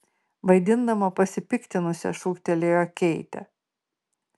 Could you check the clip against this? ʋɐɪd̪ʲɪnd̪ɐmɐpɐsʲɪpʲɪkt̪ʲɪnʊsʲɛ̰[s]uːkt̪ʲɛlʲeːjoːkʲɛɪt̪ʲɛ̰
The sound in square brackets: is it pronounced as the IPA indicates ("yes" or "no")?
no